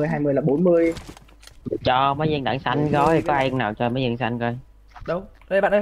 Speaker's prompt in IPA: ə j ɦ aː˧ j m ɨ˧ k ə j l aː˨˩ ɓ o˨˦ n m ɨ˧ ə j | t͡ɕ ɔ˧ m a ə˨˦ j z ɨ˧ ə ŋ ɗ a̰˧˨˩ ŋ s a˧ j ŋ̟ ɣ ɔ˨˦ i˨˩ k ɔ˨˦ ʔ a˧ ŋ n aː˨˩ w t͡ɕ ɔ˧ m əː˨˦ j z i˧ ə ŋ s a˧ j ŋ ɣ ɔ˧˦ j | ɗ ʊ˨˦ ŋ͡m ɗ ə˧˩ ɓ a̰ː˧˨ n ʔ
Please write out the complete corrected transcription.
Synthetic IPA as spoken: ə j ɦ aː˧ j m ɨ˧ ə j l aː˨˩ ɓ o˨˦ n m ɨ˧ ə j | t͡ɕ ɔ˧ m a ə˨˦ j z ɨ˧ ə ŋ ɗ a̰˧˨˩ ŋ s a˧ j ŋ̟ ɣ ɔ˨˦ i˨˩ k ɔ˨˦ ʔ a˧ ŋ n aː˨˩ w t͡ɕ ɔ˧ m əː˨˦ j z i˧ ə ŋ s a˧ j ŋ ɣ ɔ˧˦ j | ɗ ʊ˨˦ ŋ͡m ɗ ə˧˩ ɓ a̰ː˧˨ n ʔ

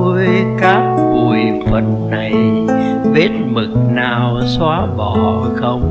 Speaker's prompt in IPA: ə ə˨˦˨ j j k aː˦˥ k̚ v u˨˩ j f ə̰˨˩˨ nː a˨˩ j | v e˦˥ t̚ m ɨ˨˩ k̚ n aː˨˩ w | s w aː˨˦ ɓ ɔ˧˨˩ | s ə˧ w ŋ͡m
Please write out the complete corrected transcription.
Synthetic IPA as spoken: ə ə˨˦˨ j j k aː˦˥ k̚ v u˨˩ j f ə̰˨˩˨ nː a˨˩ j | v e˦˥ t̚ m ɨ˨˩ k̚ n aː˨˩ w | s w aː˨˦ ɓ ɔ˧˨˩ | x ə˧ w ŋ͡m

